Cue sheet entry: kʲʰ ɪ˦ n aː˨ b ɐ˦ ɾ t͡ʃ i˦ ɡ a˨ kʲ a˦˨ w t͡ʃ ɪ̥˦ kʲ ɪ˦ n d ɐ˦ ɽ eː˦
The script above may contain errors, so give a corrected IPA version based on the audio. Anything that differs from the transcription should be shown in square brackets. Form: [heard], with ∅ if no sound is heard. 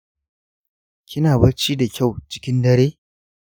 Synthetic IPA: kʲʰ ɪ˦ n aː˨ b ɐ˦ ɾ t͡ʃ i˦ [d] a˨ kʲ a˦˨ w t͡ʃ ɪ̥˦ kʲ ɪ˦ n d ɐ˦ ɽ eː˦